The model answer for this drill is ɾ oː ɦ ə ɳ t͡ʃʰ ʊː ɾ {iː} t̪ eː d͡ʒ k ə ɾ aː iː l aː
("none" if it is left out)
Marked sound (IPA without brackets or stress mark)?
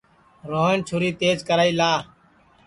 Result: iː